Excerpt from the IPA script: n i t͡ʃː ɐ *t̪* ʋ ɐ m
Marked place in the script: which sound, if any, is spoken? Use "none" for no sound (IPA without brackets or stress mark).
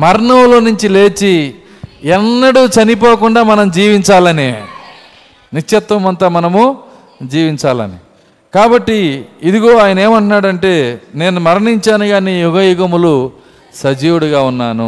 t̪